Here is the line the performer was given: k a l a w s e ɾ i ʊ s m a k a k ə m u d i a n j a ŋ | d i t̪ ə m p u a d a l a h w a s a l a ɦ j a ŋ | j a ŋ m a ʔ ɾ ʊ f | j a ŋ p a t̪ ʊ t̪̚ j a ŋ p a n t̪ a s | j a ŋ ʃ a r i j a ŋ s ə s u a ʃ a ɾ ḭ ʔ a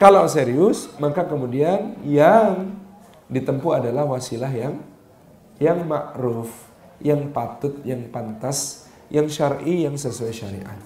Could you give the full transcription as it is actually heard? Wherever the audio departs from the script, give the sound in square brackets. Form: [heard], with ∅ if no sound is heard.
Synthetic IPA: k a l a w s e ɾ i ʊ s m a k a k ə m u d i a n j a ŋ | d i t̪ ə m p u a d a l a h w a s [i] l a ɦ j a ŋ | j a ŋ m a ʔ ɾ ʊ f | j a ŋ p a t̪ ʊ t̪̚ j a ŋ p a n t̪ a s | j a ŋ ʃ a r i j a ŋ s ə s u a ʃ a ɾ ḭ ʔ a